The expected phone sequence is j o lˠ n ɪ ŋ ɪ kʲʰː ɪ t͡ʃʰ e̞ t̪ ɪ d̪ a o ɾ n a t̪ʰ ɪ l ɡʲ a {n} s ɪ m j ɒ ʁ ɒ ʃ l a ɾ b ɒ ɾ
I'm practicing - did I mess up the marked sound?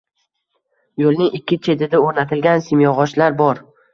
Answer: no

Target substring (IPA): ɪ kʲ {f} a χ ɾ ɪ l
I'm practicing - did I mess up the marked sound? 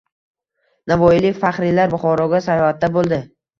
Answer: no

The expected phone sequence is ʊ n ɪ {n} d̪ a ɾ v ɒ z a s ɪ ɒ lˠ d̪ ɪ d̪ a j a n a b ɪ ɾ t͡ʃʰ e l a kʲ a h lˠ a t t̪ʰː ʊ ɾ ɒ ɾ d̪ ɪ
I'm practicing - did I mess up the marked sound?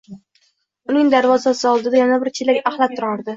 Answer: yes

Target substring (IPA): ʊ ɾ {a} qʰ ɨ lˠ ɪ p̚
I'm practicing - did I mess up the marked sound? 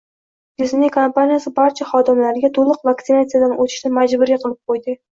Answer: yes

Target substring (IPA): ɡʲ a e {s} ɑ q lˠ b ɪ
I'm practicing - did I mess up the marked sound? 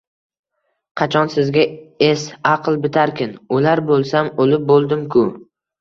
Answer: no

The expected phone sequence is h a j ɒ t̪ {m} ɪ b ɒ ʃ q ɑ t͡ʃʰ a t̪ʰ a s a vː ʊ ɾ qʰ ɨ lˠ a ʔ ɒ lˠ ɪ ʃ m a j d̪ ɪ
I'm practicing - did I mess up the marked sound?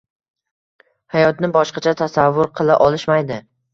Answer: yes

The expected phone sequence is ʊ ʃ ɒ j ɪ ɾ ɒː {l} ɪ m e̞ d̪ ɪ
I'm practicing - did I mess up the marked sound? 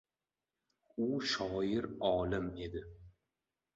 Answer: no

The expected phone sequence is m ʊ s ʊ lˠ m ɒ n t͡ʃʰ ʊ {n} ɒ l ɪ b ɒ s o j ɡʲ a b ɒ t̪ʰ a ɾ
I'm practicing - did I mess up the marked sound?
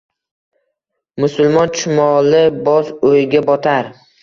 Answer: yes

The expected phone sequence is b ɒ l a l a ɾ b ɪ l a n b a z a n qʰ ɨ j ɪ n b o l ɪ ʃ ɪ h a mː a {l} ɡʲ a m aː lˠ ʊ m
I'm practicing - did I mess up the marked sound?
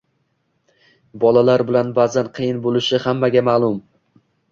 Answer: yes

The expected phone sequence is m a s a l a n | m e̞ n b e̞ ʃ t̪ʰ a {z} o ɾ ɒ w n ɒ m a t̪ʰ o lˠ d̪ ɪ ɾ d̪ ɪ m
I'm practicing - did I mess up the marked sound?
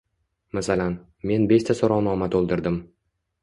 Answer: yes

